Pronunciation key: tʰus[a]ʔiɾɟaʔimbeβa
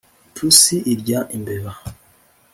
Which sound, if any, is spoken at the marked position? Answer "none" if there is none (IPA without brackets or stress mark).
i